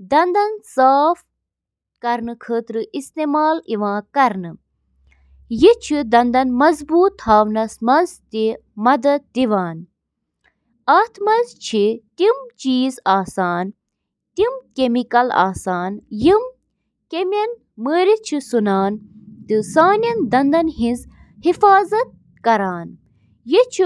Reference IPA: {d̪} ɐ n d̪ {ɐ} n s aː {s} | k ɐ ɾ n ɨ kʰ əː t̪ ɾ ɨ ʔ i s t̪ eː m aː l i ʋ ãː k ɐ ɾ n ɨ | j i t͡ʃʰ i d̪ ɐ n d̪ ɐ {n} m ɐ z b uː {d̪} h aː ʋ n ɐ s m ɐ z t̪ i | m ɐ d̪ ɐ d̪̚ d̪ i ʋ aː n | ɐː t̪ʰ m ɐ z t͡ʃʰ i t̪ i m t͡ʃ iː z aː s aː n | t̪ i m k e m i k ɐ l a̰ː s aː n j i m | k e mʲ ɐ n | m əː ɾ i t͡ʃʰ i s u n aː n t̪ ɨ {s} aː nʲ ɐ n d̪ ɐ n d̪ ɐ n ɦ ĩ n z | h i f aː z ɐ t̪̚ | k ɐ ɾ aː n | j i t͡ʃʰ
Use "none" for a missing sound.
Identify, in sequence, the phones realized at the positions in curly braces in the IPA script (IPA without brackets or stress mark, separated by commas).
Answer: d̪, ɐ, f, n, t̪, s